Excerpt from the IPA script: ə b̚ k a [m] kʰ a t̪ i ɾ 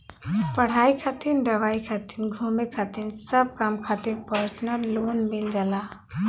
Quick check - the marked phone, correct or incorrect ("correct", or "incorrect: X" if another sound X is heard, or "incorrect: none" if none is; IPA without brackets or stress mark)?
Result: correct